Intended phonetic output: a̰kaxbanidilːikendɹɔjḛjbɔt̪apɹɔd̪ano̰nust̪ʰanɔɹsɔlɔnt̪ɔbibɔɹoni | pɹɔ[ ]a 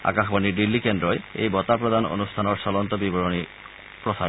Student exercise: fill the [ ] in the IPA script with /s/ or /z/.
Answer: s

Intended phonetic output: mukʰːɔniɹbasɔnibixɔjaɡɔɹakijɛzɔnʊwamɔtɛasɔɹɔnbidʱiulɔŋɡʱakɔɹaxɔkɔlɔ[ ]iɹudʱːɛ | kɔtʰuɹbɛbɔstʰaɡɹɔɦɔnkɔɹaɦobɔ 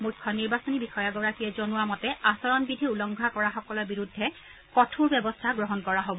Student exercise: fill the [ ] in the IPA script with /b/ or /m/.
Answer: b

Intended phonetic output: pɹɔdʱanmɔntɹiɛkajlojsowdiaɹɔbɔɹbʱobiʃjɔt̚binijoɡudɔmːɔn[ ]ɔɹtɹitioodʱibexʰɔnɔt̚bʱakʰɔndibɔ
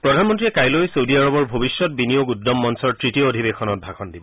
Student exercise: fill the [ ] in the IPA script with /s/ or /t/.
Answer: s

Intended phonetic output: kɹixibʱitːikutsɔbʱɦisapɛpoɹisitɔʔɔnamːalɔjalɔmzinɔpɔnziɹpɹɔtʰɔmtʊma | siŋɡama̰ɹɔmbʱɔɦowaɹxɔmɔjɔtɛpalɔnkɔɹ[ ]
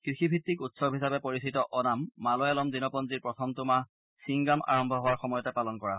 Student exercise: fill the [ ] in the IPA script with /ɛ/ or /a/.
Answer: a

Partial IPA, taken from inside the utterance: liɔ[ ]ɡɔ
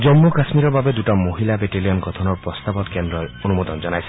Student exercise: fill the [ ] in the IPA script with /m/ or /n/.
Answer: n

